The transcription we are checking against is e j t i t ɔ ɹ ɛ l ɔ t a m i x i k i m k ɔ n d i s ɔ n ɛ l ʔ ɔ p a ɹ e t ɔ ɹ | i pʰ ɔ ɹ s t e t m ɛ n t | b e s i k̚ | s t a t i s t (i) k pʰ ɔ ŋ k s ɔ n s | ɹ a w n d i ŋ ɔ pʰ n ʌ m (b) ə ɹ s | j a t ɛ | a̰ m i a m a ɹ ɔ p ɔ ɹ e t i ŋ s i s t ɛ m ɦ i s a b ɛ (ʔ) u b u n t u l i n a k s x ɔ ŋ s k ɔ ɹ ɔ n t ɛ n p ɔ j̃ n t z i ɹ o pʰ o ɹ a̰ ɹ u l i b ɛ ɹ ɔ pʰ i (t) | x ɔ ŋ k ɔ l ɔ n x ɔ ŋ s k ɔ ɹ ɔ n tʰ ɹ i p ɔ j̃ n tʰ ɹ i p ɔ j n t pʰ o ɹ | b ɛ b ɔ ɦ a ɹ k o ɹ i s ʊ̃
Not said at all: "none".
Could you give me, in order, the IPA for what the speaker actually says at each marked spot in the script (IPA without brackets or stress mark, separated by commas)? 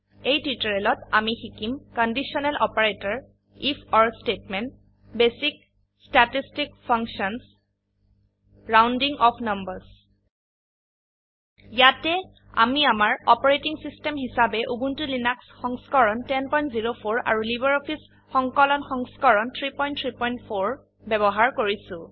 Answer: i, b, ʔ, s